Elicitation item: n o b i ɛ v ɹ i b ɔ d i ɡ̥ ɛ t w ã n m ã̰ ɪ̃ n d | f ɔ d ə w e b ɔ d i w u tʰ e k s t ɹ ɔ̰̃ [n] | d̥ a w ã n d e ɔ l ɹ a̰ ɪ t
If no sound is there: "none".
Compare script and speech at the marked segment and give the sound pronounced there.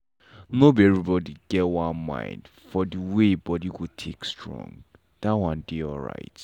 ŋ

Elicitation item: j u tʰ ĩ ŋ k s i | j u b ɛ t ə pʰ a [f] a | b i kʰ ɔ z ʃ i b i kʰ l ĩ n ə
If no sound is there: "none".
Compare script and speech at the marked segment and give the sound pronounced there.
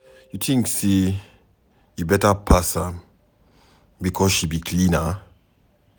s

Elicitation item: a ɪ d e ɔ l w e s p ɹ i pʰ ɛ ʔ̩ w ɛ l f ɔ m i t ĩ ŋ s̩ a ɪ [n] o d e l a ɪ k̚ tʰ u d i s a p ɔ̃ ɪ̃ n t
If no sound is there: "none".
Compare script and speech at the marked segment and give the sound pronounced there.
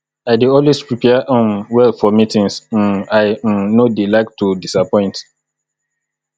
n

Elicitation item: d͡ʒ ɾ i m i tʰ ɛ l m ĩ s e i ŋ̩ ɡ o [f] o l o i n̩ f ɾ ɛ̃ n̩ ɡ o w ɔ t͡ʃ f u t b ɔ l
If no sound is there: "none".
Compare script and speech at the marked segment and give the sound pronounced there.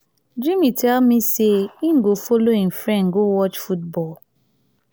f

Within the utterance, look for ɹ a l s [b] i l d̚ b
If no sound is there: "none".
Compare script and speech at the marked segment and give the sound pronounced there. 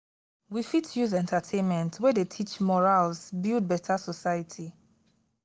b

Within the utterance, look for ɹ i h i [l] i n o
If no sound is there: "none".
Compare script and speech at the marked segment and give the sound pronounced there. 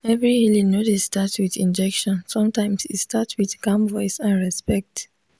l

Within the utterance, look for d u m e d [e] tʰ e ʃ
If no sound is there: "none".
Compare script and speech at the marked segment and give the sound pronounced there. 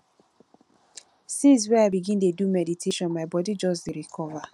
i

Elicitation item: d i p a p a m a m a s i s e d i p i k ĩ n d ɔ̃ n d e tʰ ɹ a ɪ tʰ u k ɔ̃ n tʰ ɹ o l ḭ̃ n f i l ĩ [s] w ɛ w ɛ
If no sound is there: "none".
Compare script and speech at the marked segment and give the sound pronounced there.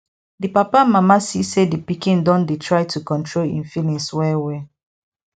s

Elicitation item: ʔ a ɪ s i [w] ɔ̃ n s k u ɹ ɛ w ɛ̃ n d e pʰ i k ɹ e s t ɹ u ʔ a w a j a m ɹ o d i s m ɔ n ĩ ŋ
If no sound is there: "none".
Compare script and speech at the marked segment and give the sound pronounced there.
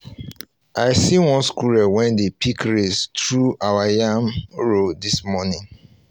w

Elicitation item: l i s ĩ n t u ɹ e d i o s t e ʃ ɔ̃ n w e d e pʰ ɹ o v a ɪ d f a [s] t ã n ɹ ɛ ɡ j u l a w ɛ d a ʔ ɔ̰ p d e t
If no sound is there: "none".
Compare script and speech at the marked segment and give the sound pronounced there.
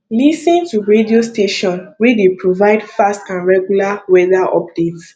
s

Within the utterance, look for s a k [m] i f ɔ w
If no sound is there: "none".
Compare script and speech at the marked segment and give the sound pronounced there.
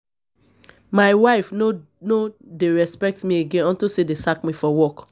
m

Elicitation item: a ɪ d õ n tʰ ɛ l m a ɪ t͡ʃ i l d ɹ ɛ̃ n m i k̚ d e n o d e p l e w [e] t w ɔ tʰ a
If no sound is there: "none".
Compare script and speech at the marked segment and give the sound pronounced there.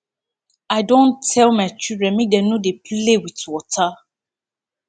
i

